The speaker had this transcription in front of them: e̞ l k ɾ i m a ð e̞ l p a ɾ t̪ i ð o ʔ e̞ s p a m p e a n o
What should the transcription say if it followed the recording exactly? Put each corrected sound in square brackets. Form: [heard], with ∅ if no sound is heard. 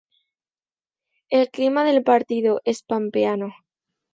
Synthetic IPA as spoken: e̞ l k [l] i m a ð e̞ l p a ɾ t̪ i ð o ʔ e̞ s p a m p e a n o